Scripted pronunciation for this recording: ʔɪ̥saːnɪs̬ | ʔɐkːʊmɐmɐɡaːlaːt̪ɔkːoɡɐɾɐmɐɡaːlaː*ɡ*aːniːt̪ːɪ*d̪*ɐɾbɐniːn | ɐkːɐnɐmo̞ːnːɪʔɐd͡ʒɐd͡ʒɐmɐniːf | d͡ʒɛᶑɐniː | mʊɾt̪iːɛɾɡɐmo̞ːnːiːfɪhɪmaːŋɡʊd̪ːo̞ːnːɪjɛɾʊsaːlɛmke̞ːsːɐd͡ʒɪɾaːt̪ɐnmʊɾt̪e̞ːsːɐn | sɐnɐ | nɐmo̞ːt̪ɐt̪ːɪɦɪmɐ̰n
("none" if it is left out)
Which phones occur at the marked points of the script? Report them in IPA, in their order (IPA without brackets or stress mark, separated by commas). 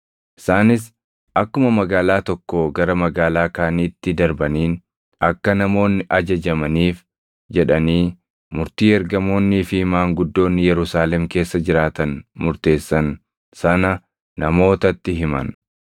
k, d̪